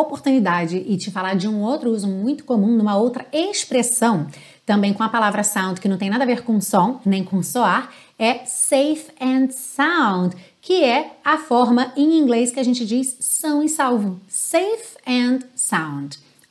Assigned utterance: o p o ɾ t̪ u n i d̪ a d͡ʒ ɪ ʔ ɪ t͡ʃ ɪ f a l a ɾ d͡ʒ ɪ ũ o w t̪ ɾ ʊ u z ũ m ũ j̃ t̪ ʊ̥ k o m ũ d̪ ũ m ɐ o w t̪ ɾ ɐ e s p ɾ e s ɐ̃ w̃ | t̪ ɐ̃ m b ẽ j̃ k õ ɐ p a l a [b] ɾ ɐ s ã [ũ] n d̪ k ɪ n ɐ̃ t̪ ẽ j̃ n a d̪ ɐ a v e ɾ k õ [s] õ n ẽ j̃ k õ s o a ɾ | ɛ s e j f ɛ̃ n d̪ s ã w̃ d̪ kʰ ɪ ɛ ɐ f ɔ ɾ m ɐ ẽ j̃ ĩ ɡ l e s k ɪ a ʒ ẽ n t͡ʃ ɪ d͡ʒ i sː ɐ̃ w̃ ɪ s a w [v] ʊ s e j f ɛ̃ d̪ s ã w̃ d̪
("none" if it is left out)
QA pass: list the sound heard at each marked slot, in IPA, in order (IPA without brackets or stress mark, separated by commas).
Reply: v, w̃, s, v